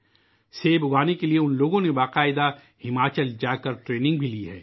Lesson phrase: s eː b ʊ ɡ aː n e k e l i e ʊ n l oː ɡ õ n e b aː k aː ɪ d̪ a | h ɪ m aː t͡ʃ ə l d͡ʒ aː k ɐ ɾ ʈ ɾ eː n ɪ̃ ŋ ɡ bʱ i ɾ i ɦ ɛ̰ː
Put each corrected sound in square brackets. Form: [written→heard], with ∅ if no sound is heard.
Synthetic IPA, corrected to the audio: s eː b ʊ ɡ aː n e k e l i e ʊ n l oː ɡ õ n e b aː [k→q] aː ɪ d̪ a | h ɪ m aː t͡ʃ ə l d͡ʒ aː k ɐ ɾ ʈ ɾ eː n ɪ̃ ŋ ɡ bʱ i [ɾ→l] i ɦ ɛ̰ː

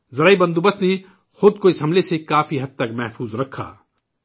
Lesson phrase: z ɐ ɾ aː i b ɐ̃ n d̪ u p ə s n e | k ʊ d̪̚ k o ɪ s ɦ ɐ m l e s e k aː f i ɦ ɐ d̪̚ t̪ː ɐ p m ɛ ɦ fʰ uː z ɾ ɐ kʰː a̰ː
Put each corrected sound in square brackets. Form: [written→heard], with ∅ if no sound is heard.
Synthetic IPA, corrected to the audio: z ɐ ɾ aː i b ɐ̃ n d̪ u [p→b] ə s n e | [k→x] ʊ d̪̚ k o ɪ s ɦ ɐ m l e s e k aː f i ɦ ɐ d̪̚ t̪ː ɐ [p→k] m ɛ ɦ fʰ uː z ɾ ɐ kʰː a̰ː

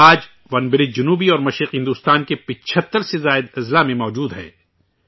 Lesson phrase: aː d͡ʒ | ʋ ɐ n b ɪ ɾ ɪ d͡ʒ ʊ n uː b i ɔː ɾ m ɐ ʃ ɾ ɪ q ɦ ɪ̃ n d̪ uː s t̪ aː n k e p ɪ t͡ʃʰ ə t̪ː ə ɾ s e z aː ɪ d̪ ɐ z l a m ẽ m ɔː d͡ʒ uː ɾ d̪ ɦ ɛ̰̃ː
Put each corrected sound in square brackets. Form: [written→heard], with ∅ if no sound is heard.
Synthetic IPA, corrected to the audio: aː d͡ʒ | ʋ ɐ n b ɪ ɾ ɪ d͡ʒ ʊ n uː b i ɔː ɾ m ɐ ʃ ɾ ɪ q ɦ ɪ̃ n d̪ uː s t̪ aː n k e p ɪ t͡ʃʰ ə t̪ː ə ɾ s e z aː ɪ d̪ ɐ z l a m ẽ m ɔː d͡ʒ uː [ɾ→∅] d̪ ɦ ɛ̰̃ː

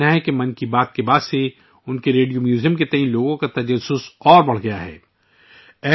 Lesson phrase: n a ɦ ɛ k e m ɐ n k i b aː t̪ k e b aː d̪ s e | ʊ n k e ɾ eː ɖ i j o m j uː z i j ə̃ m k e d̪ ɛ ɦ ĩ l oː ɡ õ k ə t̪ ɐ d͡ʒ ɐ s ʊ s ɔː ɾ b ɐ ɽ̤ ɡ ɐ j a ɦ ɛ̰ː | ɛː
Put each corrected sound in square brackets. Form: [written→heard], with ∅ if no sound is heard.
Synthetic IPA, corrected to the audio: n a ɦ ɛ k e m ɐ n k i b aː t̪ k e b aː d̪ s e | ʊ n k e ɾ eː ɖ i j o m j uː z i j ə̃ m k e [d̪→t̪] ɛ ɦ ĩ l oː ɡ õ k [ə→a] t̪ ɐ d͡ʒ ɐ s ʊ s ɔː ɾ b ɐ ɽ̤ ɡ ɐ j a ɦ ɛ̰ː | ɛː

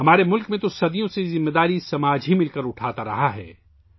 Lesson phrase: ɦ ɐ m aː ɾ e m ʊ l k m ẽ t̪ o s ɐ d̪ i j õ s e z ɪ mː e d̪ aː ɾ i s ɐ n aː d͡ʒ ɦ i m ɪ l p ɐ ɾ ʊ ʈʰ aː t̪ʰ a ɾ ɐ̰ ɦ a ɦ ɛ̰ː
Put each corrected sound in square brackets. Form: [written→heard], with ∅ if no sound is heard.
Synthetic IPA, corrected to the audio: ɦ ɐ m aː ɾ e m ʊ l k m ẽ t̪ o s ɐ d̪ i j õ s e z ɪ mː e d̪ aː ɾ i s ɐ [n→m] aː d͡ʒ ɦ i m ɪ l [p→k] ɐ ɾ ʊ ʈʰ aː [t̪ʰ→t̪] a ɾ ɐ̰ ɦ a ɦ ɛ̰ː

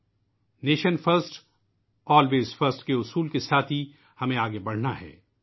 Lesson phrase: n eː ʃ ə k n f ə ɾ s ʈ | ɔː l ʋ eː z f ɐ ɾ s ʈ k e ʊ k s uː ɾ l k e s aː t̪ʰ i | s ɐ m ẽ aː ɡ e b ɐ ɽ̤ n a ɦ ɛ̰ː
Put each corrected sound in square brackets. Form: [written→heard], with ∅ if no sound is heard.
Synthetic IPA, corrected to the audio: n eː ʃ ə [k→∅] n f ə ɾ s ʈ | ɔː l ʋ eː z f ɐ ɾ s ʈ k e ʊ [k→∅] s uː [ɾ→∅] l k e s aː t̪ʰ i | [s→h] ɐ m ẽ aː ɡ e b ɐ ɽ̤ n a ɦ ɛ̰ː

